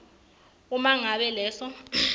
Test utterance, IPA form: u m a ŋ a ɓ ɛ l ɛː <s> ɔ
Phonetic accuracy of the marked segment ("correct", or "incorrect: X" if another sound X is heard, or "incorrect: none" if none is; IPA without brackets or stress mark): correct